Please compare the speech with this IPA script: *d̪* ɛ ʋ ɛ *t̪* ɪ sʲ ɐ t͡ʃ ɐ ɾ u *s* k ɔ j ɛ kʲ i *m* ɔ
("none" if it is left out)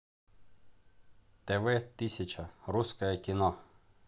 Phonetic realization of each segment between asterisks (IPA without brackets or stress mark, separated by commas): t̪, t̪, s, n